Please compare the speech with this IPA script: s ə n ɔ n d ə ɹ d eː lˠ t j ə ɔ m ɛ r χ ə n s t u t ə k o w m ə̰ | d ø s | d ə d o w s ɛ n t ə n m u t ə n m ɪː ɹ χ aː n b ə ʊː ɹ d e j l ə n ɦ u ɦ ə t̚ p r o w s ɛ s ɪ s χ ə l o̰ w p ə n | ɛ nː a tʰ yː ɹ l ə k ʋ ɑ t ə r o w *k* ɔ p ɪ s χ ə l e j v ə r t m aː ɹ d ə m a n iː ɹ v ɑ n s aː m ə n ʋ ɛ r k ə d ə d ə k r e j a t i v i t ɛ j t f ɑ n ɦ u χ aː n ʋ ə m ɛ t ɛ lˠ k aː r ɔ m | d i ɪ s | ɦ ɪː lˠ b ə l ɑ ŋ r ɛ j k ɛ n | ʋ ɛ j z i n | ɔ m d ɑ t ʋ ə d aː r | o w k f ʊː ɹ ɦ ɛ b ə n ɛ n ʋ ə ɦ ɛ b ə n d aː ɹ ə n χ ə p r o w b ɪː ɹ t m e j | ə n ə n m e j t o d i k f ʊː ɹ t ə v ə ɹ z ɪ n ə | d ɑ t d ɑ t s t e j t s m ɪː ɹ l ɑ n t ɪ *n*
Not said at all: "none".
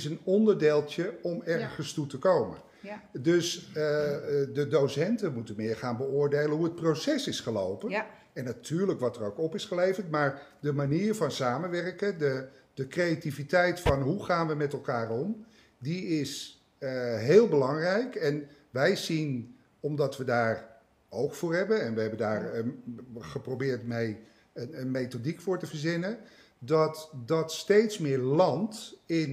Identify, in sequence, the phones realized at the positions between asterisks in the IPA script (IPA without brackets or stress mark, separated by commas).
k, n